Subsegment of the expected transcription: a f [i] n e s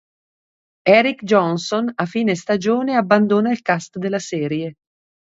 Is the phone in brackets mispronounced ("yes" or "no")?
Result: yes